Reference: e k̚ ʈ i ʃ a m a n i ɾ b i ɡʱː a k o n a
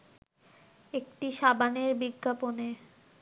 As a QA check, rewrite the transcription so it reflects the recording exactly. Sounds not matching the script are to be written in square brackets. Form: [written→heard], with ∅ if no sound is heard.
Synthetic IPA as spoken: e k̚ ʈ i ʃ a [m→b] a n [i→e] ɾ b i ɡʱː a [k→p] o n [a→e]